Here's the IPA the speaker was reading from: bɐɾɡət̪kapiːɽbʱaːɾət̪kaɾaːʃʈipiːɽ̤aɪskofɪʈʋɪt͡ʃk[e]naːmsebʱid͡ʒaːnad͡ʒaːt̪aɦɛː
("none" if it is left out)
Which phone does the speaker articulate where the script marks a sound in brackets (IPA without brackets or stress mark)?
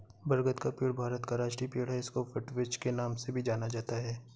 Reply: e